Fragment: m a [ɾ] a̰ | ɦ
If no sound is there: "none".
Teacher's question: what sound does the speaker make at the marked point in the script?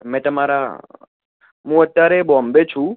ɾ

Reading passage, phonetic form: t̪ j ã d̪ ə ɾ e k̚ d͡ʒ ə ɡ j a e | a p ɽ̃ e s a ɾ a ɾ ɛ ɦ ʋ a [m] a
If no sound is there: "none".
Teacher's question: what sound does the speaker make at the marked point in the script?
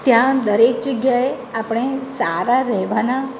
n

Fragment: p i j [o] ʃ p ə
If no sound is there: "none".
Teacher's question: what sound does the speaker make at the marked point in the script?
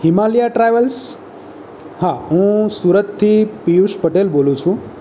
u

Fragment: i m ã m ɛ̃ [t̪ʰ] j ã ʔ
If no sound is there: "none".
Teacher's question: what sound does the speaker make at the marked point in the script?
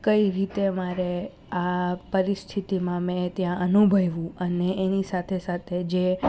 t̪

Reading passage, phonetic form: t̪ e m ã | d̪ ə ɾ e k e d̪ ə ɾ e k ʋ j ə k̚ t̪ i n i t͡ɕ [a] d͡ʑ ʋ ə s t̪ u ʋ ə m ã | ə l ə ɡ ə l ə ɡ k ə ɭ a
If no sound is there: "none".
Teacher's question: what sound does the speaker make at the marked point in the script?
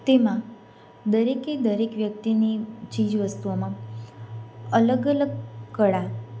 i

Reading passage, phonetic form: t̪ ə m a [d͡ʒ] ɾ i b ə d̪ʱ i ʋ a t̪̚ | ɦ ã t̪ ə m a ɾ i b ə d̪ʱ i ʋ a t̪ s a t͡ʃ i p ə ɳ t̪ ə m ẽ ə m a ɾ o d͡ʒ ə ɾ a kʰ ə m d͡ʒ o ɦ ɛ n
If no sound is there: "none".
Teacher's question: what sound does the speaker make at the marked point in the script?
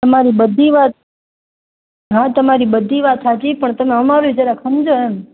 none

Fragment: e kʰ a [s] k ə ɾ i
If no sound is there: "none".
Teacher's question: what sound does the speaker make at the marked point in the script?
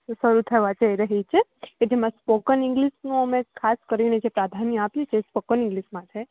s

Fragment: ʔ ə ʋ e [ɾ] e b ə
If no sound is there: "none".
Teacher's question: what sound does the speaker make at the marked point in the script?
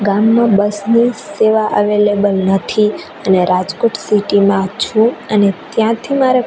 l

